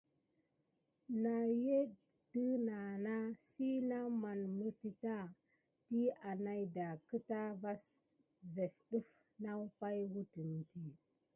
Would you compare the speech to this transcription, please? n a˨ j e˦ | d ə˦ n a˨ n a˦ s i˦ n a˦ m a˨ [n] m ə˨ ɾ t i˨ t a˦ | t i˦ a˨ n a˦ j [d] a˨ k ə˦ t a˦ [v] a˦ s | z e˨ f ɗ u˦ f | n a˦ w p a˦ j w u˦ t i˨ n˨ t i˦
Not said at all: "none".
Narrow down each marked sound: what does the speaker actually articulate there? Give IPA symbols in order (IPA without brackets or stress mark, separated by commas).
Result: n, d, v